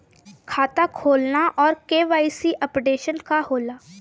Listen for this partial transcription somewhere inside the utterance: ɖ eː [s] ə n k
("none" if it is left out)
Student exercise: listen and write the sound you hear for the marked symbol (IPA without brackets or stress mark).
ʃ